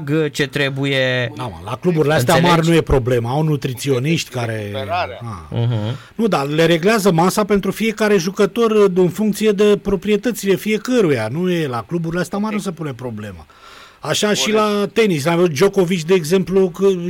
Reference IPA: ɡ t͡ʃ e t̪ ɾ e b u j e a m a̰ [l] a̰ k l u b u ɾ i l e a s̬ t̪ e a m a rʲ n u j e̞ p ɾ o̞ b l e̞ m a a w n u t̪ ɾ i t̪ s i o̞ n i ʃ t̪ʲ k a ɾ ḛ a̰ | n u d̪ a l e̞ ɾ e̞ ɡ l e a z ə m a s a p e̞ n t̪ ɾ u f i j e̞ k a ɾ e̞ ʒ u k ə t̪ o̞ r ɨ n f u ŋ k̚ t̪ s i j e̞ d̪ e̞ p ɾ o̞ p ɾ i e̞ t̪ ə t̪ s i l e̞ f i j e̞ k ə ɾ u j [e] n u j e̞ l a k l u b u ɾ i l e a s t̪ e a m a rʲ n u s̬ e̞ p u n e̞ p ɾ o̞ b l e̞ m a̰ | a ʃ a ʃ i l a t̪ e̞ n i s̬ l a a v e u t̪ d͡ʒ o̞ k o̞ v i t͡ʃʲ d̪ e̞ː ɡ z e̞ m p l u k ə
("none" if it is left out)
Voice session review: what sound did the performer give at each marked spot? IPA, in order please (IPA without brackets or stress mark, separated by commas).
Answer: l, a